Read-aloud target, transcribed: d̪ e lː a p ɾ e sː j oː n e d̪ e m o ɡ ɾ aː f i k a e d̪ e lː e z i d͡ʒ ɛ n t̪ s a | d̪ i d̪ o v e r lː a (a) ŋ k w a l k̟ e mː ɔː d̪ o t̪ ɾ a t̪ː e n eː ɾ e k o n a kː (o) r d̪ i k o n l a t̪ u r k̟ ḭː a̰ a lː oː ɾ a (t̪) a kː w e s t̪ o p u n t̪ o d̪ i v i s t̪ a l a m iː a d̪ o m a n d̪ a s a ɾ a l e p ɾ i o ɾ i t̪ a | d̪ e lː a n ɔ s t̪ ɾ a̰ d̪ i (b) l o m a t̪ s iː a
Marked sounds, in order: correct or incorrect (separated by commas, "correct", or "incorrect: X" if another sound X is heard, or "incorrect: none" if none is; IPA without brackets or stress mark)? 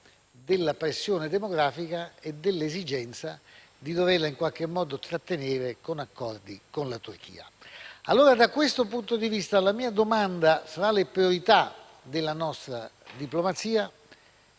incorrect: i, incorrect: ɔ, incorrect: d̪, incorrect: p